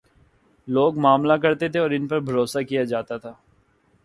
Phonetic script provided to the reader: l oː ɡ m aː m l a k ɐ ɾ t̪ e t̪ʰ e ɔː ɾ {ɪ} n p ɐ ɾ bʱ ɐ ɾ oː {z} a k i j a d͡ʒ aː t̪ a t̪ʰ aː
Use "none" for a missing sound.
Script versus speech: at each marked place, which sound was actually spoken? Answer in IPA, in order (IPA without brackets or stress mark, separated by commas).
ɪ, s